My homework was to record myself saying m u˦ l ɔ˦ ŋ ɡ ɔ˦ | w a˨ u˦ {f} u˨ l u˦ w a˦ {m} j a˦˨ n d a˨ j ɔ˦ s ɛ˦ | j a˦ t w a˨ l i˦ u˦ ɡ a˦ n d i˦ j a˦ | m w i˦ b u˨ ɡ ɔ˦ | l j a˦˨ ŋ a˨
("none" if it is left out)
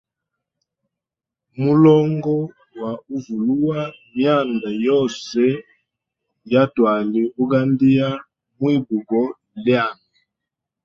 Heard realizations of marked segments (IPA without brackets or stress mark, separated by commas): v, m